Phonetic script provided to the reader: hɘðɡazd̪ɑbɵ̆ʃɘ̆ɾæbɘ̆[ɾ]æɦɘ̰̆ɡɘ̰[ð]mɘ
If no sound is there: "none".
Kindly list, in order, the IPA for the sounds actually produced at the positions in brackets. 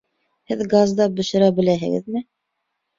l, ð

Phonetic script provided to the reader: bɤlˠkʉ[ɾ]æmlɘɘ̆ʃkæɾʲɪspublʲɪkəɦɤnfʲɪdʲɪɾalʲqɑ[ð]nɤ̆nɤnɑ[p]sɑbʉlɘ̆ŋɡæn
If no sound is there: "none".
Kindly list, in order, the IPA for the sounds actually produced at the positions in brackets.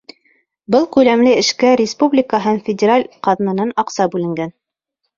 l, ð, q

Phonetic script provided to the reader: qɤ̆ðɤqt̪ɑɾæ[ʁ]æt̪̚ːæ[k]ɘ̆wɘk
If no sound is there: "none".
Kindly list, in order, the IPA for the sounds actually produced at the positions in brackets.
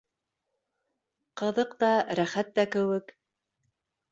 χ, k

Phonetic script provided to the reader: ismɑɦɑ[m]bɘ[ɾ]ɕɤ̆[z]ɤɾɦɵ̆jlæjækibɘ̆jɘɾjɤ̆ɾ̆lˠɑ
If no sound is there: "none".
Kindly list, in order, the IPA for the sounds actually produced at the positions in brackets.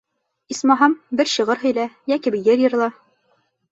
m, ɾ, ʁ

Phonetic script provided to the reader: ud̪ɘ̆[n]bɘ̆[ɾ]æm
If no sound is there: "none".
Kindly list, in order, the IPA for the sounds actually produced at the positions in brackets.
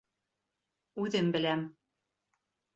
m, l

